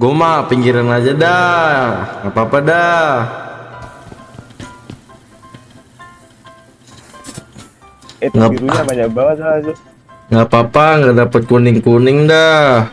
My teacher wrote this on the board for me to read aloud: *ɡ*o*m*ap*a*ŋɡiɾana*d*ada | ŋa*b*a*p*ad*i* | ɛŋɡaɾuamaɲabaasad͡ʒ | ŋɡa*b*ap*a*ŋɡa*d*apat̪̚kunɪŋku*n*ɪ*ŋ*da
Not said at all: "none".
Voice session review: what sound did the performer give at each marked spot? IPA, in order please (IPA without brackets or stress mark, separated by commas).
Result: ɡ, m, i, d͡ʒ, p, p, a, p, a, d, n, ŋ